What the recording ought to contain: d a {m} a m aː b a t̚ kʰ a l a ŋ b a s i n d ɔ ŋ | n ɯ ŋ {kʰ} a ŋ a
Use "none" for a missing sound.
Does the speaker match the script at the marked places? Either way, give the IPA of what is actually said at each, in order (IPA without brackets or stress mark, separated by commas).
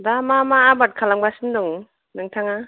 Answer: m, tʰ